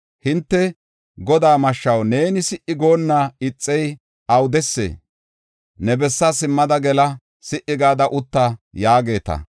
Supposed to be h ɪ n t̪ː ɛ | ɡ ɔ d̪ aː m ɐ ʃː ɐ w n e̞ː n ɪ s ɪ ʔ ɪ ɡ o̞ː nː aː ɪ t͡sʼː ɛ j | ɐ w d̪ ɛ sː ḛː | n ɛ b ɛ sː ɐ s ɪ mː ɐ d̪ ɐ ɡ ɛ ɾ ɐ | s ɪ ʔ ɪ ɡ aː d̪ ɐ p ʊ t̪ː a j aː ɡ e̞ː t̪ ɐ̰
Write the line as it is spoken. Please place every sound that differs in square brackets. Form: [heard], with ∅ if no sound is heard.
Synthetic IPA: h ɪ n t̪ː ɛ | ɡ ɔ d̪ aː m ɐ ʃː ɐ w n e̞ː n ɪ s ɪ ʔ ɪ ɡ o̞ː nː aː ɪ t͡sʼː ɛ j | ɐ w d̪ ɛ sː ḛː | n ɛ b ɛ sː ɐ s ɪ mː ɐ d̪ ɐ ɡ ɛ [l] ɐ | s ɪ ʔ ɪ ɡ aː d̪ ɐ [ʔ] ʊ t̪ː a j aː ɡ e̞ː t̪ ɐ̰